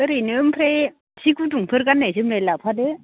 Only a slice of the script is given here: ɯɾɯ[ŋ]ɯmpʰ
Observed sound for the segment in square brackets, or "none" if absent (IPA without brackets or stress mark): n